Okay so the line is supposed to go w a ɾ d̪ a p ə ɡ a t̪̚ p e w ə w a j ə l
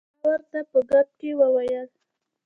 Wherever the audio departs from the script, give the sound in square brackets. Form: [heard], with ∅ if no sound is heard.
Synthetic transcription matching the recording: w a ɾ [t̪] a p ə ɡ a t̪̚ [k] e w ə w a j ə l